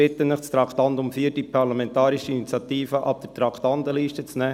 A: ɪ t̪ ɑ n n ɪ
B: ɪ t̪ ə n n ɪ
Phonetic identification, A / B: B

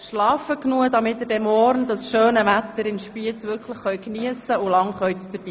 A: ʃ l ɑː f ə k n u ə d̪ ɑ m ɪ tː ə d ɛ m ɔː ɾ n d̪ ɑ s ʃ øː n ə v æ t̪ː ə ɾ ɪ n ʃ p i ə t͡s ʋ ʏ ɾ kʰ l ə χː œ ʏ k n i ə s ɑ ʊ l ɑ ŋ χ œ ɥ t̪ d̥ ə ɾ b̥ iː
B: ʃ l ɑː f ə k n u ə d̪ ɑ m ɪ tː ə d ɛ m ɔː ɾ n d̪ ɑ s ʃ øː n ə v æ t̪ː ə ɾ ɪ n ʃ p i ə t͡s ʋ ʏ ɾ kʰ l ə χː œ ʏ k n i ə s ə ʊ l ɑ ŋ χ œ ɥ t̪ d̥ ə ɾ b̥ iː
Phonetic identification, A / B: B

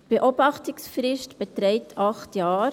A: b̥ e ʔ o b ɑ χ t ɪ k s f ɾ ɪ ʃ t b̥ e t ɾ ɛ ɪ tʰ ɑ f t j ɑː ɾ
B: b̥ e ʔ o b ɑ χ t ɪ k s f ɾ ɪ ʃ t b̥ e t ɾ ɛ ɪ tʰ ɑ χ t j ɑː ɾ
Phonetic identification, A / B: B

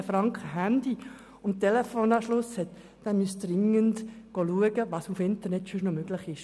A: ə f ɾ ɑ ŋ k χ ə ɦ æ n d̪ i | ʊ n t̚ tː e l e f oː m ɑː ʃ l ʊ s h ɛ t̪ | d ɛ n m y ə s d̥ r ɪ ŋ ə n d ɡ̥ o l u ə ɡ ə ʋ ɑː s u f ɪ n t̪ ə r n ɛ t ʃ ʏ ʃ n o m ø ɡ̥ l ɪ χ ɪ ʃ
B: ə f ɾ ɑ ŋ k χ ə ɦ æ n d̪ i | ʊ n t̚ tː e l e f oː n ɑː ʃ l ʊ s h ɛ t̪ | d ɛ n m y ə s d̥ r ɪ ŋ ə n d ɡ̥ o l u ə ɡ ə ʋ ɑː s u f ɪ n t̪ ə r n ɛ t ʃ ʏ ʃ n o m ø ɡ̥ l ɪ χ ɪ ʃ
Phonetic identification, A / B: B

